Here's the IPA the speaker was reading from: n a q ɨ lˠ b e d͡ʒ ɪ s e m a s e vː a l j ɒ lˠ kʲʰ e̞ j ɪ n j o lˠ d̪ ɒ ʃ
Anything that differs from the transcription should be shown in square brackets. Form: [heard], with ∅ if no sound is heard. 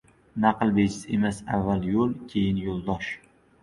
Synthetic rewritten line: n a q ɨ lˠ b e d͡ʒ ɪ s e m a s [a] vː a l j [o] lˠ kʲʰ e̞ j ɪ n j o lˠ d̪ ɒ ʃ